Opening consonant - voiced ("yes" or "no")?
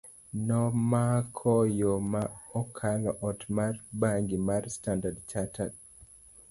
yes